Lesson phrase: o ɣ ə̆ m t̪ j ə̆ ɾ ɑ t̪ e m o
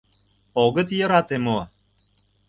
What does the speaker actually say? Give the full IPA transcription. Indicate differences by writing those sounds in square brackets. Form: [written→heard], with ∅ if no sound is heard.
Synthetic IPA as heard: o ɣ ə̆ [m→∅] t̪ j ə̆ ɾ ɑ t̪ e m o